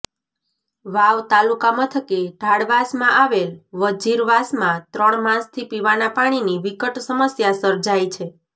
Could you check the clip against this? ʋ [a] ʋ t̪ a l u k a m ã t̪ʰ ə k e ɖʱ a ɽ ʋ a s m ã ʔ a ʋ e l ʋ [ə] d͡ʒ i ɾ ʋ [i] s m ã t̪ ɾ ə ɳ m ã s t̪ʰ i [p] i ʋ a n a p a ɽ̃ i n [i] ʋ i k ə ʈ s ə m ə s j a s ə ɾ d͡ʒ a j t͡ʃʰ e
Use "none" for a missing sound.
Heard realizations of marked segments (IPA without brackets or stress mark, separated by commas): a, ə, a, p, i